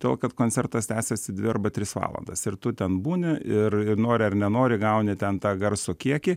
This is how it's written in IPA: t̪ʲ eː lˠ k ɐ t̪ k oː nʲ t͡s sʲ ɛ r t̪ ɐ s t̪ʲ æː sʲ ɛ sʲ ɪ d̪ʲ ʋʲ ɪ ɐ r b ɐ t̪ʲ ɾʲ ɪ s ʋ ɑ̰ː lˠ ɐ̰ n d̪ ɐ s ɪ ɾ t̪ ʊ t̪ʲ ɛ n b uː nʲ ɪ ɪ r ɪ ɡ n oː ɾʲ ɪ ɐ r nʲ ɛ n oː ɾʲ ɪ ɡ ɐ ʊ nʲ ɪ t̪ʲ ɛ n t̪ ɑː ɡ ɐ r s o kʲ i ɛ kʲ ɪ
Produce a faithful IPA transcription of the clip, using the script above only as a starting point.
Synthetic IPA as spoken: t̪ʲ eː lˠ k ɐ t̪ k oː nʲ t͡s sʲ ɛ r t̪ ɐ s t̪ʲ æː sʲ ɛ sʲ ɪ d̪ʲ ʋʲ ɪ ɐ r b ɐ t̪ʲ ɾʲ ɪ s ʋ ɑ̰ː lˠ ɐ̰ n d̪ ɐ s ɪ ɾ t̪ ʊ t̪ʲ ɛ n b uː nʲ ɪ ɪ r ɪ n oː ɾʲ ɪ ɐ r nʲ ɛ n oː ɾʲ ɪ ɡ ɐ ʊ nʲ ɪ t̪ʲ ɛ n t̪ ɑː ɡ ɐ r s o kʲ i ɛ kʲ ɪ